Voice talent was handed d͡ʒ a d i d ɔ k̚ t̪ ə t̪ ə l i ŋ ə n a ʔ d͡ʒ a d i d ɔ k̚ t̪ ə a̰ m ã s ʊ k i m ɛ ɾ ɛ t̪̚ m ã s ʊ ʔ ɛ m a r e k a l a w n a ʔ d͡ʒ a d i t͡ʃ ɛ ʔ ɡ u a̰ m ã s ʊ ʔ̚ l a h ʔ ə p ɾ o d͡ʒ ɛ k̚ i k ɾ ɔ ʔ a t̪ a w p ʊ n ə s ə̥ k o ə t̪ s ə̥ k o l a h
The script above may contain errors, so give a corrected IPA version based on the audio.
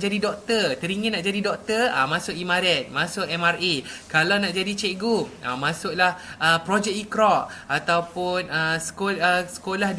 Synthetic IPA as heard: d͡ʒ a d i d ɔ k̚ t̪ ə t̪ ə ɾ i ŋ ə n a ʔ d͡ʒ a d i d ɔ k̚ t̪ ə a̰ m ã s ʊ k i m a ɾ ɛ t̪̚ m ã s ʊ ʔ ɛ m a r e k a l a w n a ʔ d͡ʒ a d i t͡ʃ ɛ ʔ ɡ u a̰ m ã s ʊ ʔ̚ l a h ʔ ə p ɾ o d͡ʒ ɛ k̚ i k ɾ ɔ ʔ a t̪ a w p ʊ n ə s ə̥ k o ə s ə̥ k o l a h